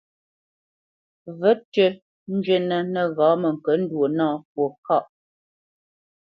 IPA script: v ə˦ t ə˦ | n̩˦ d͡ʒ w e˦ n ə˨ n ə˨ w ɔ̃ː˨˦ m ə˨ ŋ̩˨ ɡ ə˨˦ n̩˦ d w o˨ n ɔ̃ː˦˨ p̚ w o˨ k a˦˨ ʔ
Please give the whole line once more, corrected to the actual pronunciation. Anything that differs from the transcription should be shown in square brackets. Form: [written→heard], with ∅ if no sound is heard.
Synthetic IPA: v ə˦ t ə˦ | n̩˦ d͡ʒ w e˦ n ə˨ n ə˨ [w→ɣ] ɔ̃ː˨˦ m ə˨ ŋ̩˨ [ɡ→k] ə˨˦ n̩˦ d w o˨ n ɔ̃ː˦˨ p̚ w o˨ k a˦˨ ʔ